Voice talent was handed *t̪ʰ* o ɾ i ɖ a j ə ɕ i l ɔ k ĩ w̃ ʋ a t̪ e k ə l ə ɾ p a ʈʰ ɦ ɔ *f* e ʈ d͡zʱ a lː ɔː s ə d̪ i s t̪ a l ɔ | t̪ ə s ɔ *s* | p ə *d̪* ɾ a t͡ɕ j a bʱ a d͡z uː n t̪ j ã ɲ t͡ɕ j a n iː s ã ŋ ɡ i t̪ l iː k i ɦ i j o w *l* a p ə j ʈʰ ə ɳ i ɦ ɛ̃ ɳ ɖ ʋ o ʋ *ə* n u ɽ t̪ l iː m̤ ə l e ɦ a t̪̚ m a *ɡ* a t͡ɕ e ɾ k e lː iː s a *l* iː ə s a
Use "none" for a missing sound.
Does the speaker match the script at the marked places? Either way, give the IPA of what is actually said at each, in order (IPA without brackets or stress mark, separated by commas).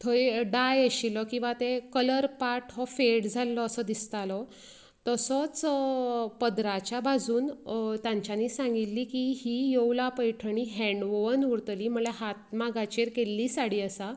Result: t̪ʰ, f, t͡s, d̪, l, ə, ɡ, ɽ